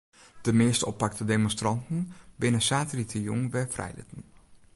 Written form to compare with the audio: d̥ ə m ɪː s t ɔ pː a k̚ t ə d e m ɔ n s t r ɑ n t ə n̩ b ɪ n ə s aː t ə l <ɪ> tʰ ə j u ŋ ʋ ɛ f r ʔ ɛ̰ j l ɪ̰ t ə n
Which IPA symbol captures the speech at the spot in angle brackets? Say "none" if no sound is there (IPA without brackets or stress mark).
i